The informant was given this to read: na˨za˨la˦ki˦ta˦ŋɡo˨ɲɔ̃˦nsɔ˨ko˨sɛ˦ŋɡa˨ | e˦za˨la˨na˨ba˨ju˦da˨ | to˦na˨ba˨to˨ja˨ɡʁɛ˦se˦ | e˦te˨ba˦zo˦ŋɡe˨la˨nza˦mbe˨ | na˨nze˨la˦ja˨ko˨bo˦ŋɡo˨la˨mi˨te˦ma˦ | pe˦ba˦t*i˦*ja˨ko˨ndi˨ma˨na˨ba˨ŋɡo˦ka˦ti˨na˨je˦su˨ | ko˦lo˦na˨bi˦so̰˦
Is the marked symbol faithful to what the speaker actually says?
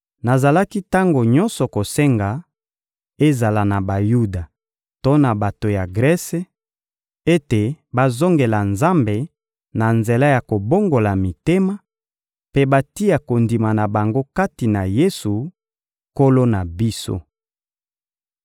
yes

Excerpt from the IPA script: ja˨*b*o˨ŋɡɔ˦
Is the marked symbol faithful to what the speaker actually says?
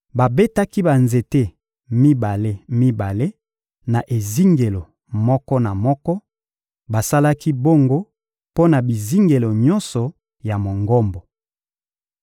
no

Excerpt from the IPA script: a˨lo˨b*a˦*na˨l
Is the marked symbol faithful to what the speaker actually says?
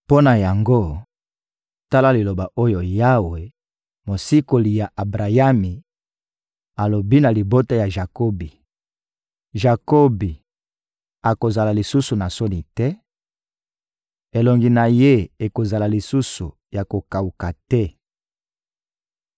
no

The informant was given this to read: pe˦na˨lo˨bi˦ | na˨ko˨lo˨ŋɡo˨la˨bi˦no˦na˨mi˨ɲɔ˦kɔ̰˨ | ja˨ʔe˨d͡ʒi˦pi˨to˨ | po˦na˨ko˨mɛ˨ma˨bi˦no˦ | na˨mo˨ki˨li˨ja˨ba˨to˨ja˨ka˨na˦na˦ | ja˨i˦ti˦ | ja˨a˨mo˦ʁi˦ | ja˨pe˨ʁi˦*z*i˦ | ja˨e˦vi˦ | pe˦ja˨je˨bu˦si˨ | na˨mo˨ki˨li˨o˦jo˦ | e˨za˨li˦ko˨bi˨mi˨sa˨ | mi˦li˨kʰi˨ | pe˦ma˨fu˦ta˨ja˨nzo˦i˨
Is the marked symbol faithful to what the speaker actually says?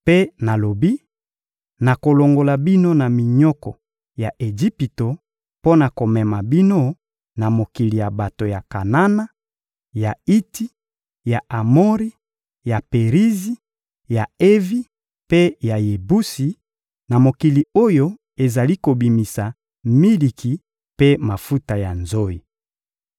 yes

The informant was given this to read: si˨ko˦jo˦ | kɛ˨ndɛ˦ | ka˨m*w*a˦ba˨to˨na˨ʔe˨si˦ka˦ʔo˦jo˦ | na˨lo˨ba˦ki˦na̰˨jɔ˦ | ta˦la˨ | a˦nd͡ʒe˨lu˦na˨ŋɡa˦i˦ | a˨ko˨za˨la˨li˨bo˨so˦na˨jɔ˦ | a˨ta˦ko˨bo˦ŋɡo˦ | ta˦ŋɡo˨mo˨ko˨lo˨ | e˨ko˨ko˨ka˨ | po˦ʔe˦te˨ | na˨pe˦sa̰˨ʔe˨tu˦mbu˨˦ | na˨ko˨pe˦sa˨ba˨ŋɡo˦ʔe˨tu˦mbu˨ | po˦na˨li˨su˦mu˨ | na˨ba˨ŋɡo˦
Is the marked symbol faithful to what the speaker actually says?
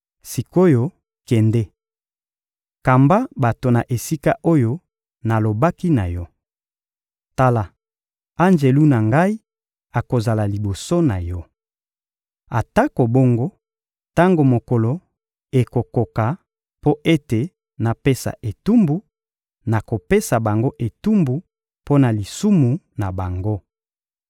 no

